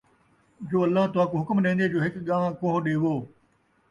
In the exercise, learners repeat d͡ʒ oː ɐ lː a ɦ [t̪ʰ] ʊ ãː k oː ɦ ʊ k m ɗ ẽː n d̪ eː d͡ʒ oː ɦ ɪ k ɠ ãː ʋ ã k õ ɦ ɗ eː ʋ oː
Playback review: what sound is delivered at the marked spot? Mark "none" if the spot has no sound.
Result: t̪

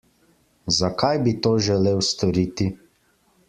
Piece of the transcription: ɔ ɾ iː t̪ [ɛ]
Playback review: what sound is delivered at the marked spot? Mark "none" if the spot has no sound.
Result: i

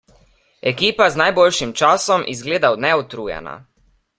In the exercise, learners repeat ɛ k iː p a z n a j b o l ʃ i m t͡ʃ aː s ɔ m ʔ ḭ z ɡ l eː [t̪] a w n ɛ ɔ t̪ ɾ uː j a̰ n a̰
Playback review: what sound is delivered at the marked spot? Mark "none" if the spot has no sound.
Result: d̪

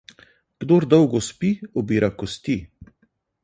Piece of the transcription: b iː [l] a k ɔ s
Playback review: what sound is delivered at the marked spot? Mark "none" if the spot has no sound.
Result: ɾ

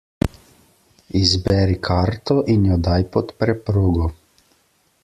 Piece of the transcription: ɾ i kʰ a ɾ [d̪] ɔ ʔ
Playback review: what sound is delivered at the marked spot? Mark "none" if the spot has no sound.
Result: t̪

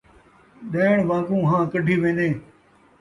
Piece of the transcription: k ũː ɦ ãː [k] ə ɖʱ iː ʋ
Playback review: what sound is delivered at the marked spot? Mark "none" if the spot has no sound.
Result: k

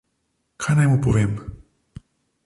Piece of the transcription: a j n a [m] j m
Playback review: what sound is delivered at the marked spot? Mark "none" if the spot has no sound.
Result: none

